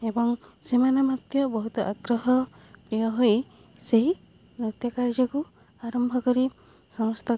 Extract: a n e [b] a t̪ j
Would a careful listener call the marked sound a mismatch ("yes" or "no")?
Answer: yes